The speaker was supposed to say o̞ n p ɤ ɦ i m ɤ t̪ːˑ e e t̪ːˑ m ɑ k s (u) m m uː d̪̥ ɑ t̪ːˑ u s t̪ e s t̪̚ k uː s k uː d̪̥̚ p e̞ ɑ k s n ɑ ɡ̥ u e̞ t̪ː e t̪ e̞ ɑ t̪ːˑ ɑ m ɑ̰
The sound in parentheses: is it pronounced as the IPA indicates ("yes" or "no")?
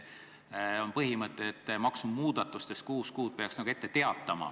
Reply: yes